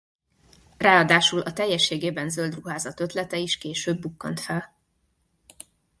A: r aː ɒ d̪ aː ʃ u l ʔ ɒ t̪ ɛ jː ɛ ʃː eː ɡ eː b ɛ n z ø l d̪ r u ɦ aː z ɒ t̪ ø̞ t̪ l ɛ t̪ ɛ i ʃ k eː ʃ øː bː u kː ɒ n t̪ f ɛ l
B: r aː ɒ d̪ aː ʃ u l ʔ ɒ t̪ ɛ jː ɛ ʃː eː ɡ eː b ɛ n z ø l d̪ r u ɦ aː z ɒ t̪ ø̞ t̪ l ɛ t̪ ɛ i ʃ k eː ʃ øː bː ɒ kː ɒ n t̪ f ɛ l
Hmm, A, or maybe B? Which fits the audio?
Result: A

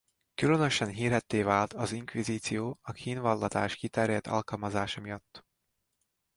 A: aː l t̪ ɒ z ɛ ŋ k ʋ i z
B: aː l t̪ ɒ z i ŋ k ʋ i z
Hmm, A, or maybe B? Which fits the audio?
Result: B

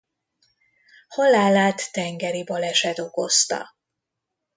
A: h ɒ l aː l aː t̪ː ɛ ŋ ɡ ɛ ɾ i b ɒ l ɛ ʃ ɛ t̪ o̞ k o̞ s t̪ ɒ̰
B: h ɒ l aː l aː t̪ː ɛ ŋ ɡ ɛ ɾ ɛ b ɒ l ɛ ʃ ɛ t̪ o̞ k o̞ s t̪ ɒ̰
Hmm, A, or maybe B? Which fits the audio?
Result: A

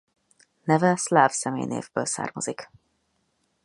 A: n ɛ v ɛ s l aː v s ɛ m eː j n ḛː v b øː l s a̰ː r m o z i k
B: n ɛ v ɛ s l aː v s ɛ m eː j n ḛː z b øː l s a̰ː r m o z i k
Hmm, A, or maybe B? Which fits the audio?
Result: A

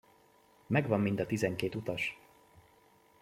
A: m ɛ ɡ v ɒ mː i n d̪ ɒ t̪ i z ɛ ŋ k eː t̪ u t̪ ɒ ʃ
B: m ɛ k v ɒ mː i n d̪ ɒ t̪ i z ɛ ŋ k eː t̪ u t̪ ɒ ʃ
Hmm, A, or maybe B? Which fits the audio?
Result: A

